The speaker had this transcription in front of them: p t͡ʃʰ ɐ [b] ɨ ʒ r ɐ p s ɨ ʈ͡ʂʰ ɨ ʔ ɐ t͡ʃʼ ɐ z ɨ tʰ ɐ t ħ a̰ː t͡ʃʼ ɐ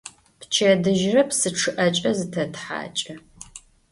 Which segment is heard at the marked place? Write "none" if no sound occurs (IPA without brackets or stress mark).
d